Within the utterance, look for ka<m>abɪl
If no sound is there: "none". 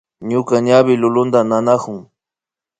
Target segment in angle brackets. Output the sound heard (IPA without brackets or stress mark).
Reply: ɲ